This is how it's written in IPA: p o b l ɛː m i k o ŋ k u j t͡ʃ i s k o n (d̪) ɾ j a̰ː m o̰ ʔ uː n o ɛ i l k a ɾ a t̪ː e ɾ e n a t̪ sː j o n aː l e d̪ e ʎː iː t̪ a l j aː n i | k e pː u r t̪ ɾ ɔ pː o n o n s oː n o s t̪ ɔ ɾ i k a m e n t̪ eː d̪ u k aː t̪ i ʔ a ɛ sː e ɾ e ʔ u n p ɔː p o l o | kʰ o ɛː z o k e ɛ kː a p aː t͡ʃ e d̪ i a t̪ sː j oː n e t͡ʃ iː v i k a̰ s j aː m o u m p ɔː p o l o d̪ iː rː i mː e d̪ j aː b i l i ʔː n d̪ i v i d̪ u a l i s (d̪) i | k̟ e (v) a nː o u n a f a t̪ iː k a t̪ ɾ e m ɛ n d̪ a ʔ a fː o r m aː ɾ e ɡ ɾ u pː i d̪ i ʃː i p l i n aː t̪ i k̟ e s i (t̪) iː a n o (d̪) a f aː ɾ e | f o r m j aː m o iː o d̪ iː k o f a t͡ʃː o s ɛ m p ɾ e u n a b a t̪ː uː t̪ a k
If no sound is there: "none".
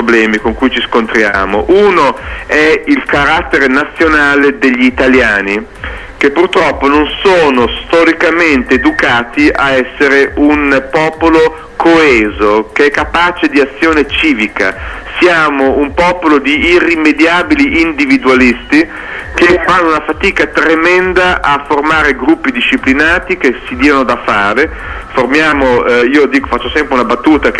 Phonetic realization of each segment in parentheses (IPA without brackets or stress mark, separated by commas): t̪, t̪, f, d̪, d̪